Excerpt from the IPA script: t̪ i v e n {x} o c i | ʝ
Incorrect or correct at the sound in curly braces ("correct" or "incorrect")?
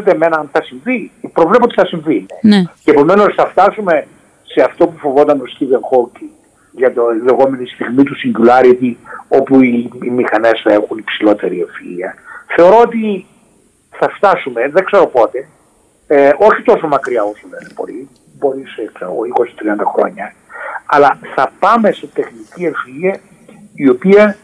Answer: correct